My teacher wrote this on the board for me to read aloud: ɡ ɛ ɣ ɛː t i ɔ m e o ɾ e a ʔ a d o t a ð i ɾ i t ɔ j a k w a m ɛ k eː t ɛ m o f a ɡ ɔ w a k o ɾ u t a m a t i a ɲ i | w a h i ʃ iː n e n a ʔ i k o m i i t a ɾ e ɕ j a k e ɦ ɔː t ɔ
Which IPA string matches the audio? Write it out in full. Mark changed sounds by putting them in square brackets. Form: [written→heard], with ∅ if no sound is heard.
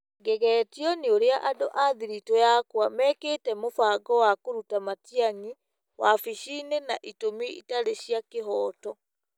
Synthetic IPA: ɡ ɛ ɣ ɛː t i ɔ [m→n] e o ɾ e a ʔ a d o [t→ʔ] a ð i ɾ i t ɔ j a k w a m ɛ k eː t ɛ m o f a ɡ ɔ w a k o ɾ u t a m a t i a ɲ i | w a [h→f] i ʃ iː n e n a ʔ i [k→t] o m i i t a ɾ e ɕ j a k e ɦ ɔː t ɔ